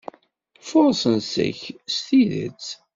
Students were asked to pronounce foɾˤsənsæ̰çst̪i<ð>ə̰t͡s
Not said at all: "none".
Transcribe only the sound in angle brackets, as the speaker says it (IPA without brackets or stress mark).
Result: ð